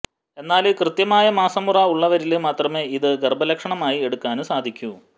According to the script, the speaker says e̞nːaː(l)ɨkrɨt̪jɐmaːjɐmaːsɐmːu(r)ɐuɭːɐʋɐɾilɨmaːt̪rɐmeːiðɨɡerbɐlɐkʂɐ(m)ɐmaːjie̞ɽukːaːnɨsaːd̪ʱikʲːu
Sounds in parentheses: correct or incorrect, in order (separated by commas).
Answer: correct, correct, incorrect